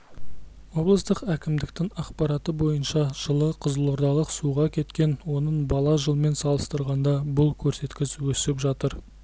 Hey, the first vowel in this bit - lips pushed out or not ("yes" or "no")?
yes